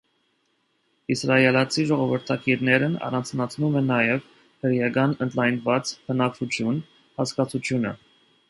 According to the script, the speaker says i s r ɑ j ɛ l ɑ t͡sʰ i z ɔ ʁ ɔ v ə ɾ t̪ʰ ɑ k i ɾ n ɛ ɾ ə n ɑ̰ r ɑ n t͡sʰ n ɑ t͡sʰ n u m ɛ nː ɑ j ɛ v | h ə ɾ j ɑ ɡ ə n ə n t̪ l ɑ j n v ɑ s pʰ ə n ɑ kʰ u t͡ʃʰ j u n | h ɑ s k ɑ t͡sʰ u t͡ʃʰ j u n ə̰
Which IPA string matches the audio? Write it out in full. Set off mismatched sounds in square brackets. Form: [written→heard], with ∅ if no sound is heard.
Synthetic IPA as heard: i s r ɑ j ɛ l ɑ t͡sʰ i [z→ʒ] ɔ ʁ ɔ v ə ɾ t̪ʰ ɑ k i ɾ n ɛ ɾ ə n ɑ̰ r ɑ n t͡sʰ n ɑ t͡sʰ n u m ɛ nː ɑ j ɛ v | h ə ɾ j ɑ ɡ [ə→ɑ] n ə n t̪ l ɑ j n v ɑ [s→t͡s] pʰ ə n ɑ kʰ u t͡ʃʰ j u n | h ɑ s k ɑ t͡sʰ u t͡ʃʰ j u n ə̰

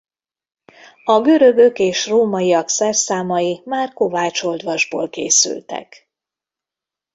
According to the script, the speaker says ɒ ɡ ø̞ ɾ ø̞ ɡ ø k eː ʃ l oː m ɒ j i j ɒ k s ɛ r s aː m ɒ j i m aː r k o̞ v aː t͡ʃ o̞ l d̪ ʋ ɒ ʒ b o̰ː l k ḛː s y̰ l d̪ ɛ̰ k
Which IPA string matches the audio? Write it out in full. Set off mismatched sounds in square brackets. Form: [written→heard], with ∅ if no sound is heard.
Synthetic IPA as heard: ɒ ɡ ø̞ ɾ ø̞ ɡ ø k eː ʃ [l→r] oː m ɒ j i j ɒ k s ɛ r s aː m ɒ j i m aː r k o̞ v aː t͡ʃ o̞ l d̪ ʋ ɒ ʒ b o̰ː l k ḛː s y̰ l [d̪→t̪] ɛ̰ k

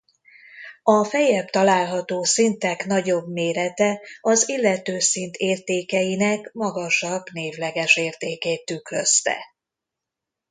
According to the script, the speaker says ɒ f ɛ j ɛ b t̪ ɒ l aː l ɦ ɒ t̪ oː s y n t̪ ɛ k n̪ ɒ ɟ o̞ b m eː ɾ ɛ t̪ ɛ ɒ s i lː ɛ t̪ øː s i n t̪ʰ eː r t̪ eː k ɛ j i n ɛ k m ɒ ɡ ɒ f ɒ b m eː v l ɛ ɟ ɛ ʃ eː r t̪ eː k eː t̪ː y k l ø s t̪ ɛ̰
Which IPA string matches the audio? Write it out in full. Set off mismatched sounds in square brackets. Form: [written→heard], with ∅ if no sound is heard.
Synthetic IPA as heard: ɒ f ɛ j ɛ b t̪ ɒ l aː l ɦ ɒ t̪ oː s [y→i] n t̪ ɛ k n̪ ɒ ɟ o̞ b m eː ɾ ɛ t̪ ɛ ɒ [s→z] i lː ɛ t̪ øː s i n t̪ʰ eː r t̪ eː k ɛ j i n ɛ k m ɒ ɡ ɒ [f→ʃ] ɒ b [m→n] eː v l ɛ [ɟ→ɡ] ɛ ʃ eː r t̪ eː k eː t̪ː y k l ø s t̪ ɛ̰

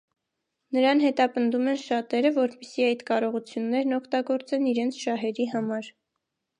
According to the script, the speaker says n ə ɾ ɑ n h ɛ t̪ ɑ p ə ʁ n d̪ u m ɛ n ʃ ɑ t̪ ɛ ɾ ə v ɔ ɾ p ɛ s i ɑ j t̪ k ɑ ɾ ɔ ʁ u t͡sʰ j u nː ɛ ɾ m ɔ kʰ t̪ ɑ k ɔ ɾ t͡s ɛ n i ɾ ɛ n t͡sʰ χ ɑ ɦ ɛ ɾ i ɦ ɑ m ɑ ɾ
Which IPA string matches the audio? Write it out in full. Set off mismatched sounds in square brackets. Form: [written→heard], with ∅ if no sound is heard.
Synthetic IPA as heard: n ə ɾ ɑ n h ɛ t̪ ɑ p ə [ʁ→∅] n d̪ u m ɛ n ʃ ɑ t̪ ɛ ɾ ə v ɔ ɾ p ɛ s i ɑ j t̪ k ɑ ɾ ɔ ʁ u t͡sʰ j u nː ɛ ɾ [m→n] ɔ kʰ t̪ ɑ [k→ɡ] ɔ ɾ t͡s ɛ n i ɾ ɛ n t͡sʰ [χ→ʃ] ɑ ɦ ɛ ɾ i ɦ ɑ m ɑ ɾ

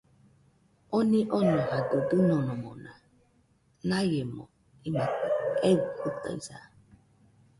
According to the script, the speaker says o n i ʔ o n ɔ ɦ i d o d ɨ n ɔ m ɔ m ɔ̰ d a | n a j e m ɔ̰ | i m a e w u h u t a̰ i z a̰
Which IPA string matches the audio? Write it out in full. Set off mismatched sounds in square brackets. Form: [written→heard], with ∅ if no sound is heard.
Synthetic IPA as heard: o n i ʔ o n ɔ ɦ [i→a] d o d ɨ n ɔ [m→n] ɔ m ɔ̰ [d→n] a | n a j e m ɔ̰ | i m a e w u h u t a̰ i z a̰

